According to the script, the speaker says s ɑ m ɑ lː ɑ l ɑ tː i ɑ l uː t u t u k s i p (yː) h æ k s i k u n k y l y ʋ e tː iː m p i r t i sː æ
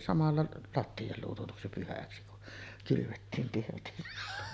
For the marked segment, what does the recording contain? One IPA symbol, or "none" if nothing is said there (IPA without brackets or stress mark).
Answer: y